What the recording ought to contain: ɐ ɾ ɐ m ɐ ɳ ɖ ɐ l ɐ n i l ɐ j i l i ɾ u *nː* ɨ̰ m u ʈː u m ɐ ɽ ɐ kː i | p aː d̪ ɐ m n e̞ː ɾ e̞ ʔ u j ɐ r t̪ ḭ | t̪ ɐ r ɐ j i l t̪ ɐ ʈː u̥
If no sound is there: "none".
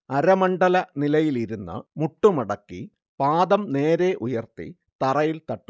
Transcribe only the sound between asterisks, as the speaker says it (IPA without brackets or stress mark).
nː